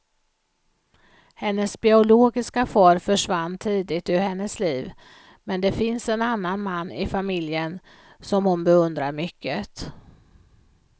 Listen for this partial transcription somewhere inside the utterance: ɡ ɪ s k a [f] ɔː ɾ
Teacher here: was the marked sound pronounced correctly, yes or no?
yes